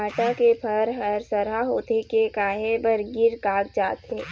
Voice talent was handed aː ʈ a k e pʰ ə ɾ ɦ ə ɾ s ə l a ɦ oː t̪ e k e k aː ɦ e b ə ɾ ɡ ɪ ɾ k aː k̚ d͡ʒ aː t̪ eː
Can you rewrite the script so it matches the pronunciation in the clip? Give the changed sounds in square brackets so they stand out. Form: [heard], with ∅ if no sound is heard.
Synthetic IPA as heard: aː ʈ a k e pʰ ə ɾ ɦ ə ɾ s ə [ɾ] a ɦ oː t̪ e k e k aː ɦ e b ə ɾ ɡ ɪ ɾ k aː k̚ d͡ʒ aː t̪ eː